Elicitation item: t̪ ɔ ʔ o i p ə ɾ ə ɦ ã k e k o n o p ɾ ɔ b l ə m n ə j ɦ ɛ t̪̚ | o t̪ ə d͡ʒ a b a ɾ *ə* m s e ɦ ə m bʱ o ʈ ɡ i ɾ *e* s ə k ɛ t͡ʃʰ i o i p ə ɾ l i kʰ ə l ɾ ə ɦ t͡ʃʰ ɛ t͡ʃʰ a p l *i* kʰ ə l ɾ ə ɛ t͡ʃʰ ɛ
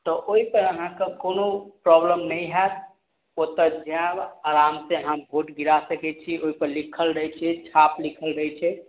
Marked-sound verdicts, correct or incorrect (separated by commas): incorrect, incorrect, correct